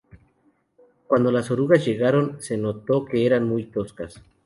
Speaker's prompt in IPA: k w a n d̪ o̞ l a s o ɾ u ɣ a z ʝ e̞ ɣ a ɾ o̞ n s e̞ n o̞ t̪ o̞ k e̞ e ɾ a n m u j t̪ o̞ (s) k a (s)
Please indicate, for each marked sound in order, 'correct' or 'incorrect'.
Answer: correct, correct

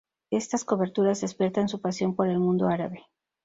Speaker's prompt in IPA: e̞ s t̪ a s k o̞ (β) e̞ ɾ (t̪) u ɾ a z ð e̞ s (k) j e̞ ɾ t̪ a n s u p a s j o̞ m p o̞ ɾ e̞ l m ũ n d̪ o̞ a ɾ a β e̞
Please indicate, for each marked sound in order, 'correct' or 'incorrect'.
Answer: correct, correct, incorrect

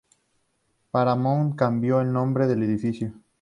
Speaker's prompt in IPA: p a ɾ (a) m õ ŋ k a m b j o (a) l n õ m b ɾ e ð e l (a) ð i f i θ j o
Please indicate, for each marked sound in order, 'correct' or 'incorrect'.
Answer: correct, incorrect, incorrect

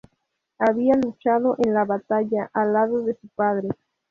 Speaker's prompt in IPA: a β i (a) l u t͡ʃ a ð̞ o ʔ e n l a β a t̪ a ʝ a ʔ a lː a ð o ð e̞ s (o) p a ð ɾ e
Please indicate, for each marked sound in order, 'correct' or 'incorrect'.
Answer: correct, incorrect

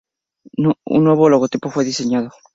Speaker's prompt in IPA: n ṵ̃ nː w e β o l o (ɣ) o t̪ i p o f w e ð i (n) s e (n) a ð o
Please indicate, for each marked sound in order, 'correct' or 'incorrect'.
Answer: correct, incorrect, incorrect

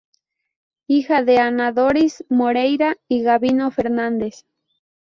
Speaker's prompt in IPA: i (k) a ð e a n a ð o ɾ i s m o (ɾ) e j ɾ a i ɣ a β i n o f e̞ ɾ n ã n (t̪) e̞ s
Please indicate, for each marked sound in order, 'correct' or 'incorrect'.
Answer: incorrect, correct, incorrect

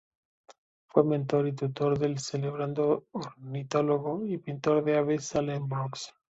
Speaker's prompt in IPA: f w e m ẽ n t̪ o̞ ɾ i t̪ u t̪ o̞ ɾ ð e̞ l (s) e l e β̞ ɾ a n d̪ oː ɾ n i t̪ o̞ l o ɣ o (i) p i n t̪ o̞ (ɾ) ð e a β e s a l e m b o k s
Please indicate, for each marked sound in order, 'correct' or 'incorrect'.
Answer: correct, correct, correct

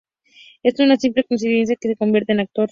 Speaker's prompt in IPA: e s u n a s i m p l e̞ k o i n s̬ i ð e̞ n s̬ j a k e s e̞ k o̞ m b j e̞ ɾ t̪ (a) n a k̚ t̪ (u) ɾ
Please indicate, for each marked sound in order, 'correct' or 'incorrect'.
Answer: incorrect, incorrect

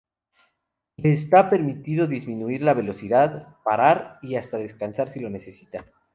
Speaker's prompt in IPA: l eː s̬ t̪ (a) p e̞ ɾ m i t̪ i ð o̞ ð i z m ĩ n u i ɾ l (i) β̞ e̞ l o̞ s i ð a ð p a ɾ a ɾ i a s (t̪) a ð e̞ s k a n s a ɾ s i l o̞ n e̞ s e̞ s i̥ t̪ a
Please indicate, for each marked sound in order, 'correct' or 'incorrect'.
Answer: correct, incorrect, correct

